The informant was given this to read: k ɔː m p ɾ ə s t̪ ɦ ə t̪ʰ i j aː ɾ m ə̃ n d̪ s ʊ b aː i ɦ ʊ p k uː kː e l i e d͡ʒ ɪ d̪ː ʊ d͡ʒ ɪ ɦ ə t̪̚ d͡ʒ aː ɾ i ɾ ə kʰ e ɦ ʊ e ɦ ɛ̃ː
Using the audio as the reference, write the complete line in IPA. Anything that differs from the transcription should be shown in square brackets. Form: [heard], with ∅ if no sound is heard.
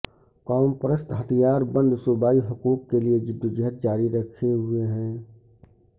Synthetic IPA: k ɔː m p ɾ ə s t̪ ɦ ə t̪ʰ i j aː ɾ [b] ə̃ n d̪ s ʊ b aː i ɦ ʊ [∅] k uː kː e l i e d͡ʒ ɪ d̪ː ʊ d͡ʒ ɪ ɦ ə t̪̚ d͡ʒ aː ɾ i ɾ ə kʰ e ɦ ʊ e ɦ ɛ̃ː